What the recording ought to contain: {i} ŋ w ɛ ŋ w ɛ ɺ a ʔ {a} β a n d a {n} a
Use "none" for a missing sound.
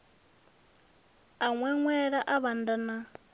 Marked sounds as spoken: a, a, n

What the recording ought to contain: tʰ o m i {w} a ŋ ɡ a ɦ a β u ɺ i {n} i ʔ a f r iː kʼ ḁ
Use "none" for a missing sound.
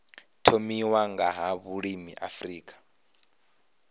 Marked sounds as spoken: w, m

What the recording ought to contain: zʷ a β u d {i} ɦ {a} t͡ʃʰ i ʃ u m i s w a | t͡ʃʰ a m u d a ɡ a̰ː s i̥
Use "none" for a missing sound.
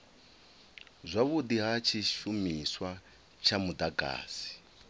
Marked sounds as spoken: i, a

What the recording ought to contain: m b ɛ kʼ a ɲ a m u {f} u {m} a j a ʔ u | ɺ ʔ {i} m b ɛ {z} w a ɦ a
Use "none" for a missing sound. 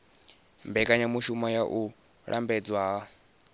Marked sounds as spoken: ʃ, m, a, d͡z

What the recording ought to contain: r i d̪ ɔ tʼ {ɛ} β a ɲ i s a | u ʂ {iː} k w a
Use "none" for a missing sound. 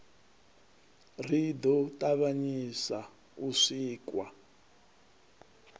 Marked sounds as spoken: a, iː

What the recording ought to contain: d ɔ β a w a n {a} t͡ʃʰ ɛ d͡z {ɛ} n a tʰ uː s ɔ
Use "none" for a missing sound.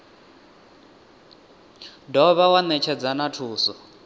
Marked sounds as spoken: ɛ, a

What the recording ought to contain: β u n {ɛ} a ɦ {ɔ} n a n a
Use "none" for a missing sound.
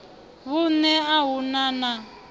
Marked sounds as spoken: ɛ, u

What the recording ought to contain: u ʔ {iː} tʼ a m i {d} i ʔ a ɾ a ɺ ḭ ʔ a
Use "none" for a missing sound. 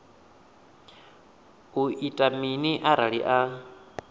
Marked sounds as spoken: i, n

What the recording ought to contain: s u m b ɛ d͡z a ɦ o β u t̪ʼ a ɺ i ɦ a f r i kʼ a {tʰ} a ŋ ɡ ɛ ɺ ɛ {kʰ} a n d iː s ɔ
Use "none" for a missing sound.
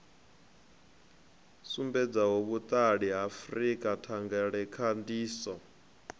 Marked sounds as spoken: tʰ, kʰ

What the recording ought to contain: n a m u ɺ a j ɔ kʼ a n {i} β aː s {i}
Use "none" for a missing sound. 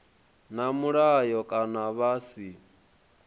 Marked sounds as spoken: a, i

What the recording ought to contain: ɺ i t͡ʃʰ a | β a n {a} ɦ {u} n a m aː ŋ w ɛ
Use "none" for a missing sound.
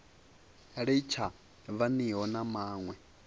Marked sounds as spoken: i, ɔ

